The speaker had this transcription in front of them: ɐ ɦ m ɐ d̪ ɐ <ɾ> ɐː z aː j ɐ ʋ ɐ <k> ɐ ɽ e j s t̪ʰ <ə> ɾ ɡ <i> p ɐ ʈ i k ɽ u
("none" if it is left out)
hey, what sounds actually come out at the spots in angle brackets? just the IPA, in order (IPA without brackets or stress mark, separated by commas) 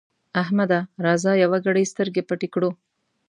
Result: ɾ, ɡ, ɐ, e